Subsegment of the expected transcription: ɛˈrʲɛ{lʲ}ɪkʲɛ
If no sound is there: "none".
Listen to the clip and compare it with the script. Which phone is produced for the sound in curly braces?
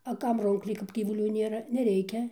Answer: none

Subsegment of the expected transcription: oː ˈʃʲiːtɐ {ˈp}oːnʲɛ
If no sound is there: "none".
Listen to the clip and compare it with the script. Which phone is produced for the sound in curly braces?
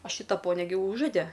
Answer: p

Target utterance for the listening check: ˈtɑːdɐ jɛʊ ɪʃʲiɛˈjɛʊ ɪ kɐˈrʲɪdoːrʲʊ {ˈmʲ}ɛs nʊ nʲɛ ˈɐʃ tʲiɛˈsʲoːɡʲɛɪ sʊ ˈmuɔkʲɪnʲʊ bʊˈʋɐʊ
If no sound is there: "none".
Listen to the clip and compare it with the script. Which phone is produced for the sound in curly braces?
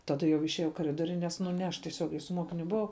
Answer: nʲ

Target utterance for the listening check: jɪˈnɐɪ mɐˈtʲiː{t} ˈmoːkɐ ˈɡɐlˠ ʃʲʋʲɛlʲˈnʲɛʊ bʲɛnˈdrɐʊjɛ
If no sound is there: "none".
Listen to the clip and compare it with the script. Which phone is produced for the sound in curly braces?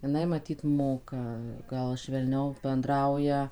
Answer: t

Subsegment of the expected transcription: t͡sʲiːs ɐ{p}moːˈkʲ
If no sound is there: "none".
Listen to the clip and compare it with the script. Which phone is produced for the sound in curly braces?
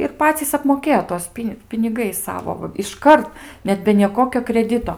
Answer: p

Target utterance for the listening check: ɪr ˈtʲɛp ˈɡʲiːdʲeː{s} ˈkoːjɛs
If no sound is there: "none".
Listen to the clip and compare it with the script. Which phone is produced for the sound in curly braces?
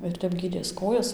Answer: s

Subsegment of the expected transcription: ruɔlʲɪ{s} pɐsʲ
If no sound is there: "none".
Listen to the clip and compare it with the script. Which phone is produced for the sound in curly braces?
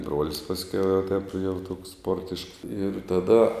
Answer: s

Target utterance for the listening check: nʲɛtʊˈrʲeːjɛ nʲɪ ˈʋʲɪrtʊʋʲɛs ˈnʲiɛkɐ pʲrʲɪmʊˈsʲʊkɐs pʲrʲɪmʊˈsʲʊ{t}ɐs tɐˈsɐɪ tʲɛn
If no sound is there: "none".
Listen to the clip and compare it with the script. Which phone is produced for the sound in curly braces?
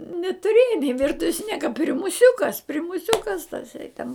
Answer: k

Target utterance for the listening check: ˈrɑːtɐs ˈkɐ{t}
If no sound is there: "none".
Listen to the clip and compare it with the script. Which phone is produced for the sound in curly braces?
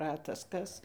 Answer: s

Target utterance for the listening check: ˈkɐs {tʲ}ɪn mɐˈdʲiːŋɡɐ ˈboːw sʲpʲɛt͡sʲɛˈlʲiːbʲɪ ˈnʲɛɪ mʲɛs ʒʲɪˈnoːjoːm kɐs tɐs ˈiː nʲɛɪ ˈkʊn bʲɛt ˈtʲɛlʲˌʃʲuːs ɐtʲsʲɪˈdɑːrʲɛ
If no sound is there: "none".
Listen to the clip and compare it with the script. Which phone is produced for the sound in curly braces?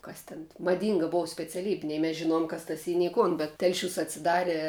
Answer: tʲ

